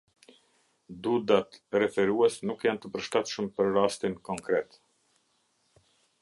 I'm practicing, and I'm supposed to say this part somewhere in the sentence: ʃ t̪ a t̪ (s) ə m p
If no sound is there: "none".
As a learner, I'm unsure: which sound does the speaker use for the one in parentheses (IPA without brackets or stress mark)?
ʃ